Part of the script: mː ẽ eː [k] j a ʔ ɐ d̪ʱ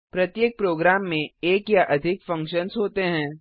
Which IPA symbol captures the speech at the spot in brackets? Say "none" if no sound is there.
k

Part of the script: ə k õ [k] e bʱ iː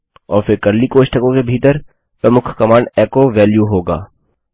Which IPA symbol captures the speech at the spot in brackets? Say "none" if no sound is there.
k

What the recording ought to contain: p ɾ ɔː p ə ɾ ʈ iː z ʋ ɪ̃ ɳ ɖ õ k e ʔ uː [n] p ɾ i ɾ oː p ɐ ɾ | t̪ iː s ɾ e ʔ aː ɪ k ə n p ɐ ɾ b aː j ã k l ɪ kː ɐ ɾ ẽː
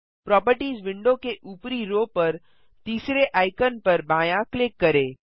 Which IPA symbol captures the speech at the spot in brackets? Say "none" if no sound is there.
none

